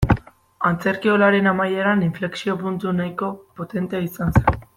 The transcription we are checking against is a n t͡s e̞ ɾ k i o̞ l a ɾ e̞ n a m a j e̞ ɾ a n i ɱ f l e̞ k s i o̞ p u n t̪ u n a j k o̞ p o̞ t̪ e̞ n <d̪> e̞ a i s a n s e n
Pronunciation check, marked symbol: incorrect: t̪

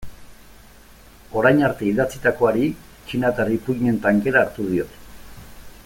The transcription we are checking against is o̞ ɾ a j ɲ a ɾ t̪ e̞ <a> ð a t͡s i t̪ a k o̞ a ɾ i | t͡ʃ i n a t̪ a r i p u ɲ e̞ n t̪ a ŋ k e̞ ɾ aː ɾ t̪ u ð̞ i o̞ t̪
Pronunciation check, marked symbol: incorrect: i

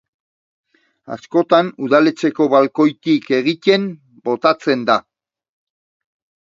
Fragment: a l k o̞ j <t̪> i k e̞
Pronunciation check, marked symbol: correct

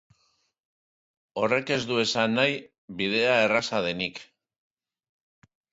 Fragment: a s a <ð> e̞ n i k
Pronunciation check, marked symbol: correct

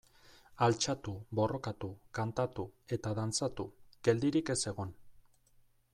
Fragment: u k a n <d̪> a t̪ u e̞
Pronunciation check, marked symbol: incorrect: t̪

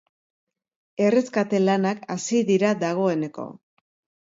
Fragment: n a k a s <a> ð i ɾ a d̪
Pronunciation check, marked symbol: incorrect: i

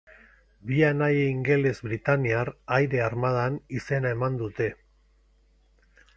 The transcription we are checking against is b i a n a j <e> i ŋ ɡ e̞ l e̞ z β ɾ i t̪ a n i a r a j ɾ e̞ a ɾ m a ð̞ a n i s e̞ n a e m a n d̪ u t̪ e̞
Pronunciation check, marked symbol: correct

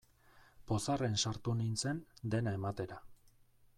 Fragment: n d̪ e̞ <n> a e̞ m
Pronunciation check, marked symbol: correct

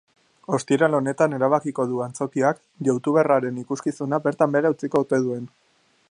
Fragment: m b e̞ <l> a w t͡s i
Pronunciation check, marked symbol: incorrect: ɾ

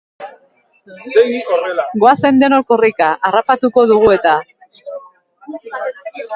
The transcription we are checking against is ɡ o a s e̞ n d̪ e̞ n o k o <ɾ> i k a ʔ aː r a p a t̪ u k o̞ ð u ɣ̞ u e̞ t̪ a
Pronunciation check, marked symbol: incorrect: r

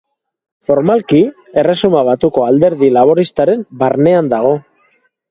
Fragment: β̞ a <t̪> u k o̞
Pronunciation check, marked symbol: correct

